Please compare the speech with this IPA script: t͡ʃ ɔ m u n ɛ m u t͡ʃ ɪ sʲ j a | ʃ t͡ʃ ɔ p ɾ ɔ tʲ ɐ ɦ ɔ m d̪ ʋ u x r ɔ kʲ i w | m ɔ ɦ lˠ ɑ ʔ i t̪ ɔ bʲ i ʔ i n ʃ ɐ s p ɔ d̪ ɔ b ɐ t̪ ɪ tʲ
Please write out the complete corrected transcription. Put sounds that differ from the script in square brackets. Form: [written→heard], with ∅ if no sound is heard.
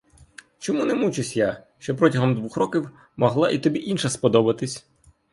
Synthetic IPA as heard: t͡ʃ ɔ m u n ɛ m u t͡ʃ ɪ sʲ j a | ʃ t͡ʃ ɔ p ɾ ɔ tʲ ɐ ɦ ɔ m d̪ ʋ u x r ɔ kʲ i w | m ɔ ɦ lˠ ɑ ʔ i t̪ ɔ bʲ i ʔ i n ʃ ɐ s p ɔ d̪ ɔ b ɐ t̪ ɪ [tʲ→sʲ]